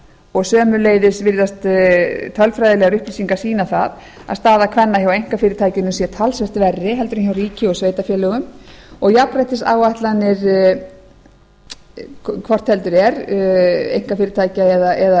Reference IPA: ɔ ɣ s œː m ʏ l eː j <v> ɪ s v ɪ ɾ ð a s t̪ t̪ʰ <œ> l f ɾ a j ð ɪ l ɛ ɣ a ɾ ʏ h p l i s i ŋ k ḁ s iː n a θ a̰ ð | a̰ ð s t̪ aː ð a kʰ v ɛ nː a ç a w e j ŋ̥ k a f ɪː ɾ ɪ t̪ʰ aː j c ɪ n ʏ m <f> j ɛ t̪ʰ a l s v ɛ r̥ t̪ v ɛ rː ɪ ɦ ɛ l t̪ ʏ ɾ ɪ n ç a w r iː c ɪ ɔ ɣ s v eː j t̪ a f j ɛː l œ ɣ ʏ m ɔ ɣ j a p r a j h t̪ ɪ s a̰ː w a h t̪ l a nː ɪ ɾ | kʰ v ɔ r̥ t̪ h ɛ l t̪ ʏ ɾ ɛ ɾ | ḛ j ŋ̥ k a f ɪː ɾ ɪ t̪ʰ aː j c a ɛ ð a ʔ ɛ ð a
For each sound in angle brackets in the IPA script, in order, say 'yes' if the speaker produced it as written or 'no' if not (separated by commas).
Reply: no, yes, no